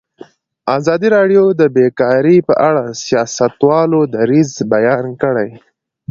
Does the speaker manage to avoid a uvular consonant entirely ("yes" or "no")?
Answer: yes